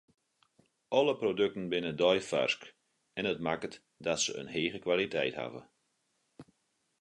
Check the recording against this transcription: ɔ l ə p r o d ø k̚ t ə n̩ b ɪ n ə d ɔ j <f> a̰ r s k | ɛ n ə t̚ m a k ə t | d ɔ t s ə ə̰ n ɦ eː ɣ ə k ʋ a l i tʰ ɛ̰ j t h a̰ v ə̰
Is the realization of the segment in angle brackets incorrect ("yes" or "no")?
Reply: no